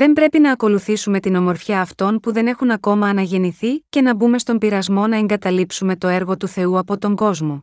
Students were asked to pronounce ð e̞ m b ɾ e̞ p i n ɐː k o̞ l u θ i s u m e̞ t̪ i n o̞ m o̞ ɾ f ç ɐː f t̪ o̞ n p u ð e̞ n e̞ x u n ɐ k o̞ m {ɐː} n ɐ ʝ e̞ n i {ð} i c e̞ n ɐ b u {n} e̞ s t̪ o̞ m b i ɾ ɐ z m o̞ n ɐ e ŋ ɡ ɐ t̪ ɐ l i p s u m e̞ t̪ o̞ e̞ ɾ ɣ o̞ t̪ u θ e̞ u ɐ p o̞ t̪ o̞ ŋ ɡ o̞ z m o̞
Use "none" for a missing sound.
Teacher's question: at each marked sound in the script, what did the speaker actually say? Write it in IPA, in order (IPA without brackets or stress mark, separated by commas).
ɐː, θ, m